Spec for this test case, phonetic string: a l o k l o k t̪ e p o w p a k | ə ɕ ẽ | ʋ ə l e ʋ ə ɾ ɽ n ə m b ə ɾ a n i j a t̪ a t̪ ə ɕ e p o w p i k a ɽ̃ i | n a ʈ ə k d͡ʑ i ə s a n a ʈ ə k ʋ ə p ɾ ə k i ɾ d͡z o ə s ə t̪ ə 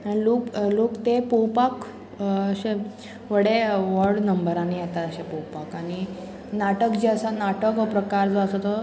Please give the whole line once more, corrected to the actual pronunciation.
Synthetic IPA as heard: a l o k l o k t̪ e p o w p a k | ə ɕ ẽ | ʋ ə ɽ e ʋ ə ɾ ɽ n ə m b ə ɾ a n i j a t̪ a t̪ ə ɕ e p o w p a k a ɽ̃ i | n a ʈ ə k d͡ʑ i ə s a n a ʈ ə k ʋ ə p ɾ ə k a ɾ d͡z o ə s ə t̪ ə